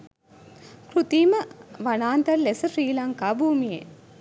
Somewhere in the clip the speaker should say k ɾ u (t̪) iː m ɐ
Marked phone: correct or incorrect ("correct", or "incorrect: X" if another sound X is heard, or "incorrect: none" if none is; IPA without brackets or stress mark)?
correct